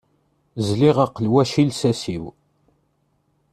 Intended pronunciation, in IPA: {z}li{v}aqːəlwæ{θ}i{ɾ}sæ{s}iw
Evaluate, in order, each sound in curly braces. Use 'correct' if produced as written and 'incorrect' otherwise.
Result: correct, incorrect, incorrect, incorrect, correct

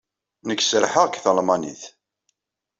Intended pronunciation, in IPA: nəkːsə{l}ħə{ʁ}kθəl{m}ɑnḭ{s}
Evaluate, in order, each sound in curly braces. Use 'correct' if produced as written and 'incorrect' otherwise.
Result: incorrect, correct, correct, incorrect

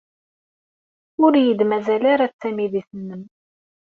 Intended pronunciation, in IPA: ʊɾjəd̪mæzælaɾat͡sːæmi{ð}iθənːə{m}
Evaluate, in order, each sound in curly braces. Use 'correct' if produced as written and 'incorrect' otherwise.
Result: correct, correct

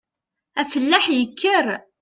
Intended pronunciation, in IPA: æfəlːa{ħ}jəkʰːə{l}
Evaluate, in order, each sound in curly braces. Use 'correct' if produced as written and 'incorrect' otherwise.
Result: correct, incorrect

